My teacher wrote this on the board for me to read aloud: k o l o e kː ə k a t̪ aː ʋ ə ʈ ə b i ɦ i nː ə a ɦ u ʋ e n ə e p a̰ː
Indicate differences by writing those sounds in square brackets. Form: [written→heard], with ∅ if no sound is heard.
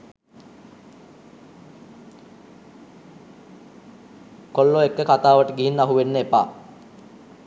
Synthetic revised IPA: k o [l→lː] o e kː ə k a t̪ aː ʋ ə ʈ ə [b→ɡ] i ɦ i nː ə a ɦ u ʋ e [n→nː] ə e p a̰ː

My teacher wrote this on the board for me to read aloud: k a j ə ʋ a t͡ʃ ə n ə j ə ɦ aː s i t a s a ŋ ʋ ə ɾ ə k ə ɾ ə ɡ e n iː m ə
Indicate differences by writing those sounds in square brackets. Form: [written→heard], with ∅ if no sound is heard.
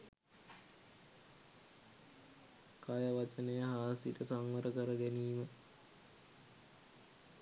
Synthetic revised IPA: k a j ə ʋ a t͡ʃ ə n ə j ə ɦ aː s i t [a→ə] s a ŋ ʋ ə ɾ ə k ə ɾ ə ɡ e n iː m ə

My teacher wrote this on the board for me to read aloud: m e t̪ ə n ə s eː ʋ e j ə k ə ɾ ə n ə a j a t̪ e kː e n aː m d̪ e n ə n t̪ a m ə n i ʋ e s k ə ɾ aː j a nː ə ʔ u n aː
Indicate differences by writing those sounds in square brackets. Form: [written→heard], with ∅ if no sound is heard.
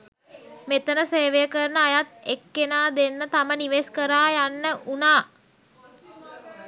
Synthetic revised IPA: m e t̪ ə n ə s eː ʋ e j ə k ə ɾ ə n ə a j a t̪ e kː e n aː [m→∅] d̪ e [n→nː] ə [n→∅] t̪ a m ə n i ʋ e s k ə ɾ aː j a nː ə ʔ u n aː

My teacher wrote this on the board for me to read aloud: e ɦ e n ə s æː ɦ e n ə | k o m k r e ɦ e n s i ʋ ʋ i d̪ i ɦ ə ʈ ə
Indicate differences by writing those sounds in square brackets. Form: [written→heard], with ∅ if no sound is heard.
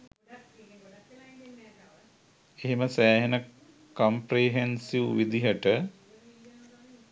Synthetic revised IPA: e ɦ e [n→m] ə s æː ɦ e n ə | k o m [k→p] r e ɦ e n s i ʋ ʋ i d̪ i ɦ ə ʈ ə

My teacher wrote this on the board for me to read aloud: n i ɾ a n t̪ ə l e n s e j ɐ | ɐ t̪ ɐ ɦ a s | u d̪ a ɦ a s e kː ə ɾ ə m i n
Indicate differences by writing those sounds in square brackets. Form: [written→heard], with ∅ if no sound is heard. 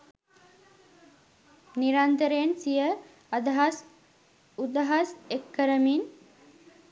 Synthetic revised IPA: n i ɾ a n t̪ ə [l→ɾ] e n s [e→i] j [ɐ→ə] | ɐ [t̪→d̪] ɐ ɦ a s | u d̪ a ɦ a s e kː ə ɾ ə m i n

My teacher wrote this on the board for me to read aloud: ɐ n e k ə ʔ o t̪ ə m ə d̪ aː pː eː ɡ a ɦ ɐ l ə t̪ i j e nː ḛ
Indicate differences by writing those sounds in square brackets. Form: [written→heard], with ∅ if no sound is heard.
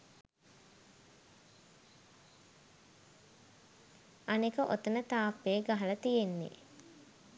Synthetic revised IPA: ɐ n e k ə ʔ o t̪ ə [m→n] ə [d̪→t̪] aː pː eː ɡ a ɦ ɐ l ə t̪ i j e nː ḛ

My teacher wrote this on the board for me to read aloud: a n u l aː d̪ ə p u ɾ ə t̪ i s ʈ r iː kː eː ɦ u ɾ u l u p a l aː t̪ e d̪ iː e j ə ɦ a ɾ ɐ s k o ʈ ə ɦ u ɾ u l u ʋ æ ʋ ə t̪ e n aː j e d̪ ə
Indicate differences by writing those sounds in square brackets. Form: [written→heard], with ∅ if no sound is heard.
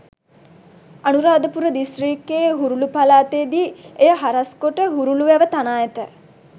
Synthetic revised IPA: a n u [l→ɾ] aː d̪ ə p u ɾ ə [t̪→d̪] i s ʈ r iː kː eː ɦ u ɾ u l u p a l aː t̪ e d̪ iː e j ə ɦ a ɾ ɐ s k o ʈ ə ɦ u ɾ u l u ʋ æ ʋ ə t̪ [e→a] n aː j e [d̪→t̪] ə

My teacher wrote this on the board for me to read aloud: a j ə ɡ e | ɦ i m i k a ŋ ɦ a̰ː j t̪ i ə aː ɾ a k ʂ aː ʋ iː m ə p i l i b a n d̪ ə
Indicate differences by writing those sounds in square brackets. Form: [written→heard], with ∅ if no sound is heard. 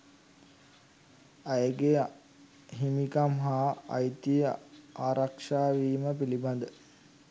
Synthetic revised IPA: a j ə ɡ e | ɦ i m i k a [ŋ→m] ɦ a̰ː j t̪ i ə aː ɾ a k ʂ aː ʋ iː m ə p i l i b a n d̪ ə

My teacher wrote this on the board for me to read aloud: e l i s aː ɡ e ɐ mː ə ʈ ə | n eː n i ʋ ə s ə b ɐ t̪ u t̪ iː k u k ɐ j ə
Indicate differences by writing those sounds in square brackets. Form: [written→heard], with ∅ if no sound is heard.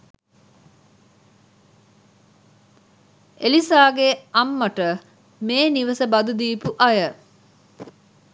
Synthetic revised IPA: e l i s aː ɡ e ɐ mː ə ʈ ə | [n→m] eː n i ʋ ə s ə b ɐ [t̪→d̪] u [t̪→d̪] iː [k→p] u [k→ʔ] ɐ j ə

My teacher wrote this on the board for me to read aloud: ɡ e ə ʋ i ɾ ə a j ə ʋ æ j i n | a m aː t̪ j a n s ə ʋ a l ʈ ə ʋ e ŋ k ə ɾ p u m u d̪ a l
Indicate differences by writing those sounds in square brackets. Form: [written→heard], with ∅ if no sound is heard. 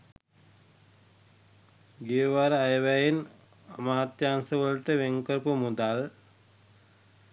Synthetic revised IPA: ɡ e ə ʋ [i→a] ɾ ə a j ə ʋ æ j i n | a m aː t̪ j a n s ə ʋ [a→ə] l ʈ ə ʋ e ŋ k ə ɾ p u m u d̪ a l

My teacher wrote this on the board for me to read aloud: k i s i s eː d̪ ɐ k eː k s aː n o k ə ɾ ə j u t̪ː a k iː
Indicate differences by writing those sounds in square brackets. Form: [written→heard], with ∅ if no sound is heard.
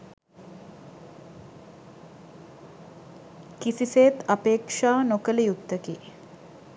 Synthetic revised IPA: k i s i s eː [d̪→t̪] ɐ [k→p] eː k [s→ʂ] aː n o k ə [ɾ→l] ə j u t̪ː [a→ə] k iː

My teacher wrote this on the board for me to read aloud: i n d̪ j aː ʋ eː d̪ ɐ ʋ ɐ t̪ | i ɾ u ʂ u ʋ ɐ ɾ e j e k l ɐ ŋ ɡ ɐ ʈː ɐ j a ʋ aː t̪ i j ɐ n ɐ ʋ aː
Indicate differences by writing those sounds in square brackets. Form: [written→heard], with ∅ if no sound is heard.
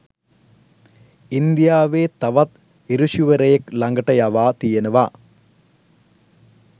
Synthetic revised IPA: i n d̪ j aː ʋ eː [d̪→t̪] ɐ ʋ ɐ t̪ | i ɾ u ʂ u ʋ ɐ ɾ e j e k l ɐ ŋ ɡ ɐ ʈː ɐ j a ʋ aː t̪ i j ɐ n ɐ ʋ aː

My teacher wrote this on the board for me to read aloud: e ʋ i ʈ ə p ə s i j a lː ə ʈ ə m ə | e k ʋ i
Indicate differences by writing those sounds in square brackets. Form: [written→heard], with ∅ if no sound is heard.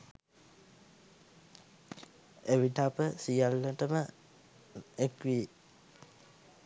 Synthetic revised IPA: e ʋ i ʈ [ə→a] p ə s i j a lː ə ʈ ə m ə | e k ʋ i

